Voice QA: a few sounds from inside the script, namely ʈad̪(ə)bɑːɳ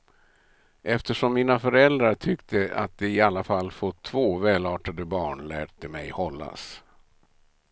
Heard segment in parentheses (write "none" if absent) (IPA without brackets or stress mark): ə